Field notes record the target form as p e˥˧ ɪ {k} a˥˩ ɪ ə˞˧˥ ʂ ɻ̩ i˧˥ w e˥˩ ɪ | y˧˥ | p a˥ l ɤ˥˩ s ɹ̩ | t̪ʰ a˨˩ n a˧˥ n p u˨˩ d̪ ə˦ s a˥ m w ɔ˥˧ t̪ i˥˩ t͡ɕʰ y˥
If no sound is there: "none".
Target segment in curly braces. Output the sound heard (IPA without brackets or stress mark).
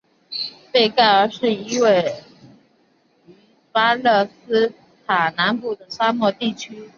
k